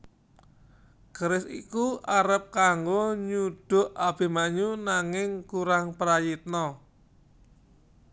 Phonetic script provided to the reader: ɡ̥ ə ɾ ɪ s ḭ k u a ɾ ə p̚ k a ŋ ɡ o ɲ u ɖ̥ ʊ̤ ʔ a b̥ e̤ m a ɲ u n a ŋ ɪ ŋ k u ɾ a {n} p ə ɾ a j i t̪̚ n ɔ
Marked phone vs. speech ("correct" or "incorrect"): incorrect